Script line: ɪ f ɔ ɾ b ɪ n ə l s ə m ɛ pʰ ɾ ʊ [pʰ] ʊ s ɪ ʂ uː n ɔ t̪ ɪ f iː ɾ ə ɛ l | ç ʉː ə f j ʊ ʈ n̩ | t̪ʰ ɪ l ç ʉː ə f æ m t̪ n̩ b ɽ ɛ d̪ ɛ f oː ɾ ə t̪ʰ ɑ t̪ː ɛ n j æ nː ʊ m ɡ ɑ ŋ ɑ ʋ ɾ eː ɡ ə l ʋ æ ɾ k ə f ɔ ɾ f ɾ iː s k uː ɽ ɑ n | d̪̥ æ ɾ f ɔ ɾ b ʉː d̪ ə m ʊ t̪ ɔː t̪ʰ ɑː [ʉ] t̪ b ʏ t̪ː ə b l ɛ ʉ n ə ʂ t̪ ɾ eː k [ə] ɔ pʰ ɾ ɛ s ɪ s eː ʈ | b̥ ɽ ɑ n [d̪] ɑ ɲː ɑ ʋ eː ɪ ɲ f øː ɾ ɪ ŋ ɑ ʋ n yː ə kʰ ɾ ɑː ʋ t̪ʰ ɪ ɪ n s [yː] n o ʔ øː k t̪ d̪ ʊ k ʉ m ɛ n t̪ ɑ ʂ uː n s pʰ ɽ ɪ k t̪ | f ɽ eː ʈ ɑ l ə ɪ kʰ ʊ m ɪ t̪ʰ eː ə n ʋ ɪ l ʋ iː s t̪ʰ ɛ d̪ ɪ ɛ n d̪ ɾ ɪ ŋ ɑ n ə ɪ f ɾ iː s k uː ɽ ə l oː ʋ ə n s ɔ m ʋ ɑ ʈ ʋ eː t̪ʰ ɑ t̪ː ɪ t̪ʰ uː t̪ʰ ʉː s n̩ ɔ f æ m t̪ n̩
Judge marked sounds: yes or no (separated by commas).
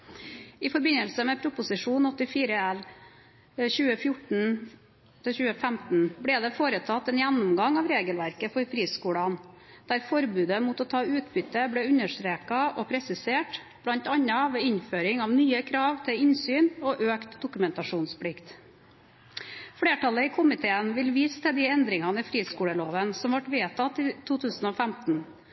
no, no, no, no, yes